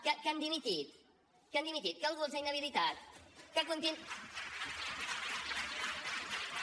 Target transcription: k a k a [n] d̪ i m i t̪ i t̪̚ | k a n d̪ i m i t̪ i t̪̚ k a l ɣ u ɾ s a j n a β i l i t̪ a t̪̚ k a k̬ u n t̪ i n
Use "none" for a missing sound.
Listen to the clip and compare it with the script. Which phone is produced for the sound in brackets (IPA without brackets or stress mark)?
n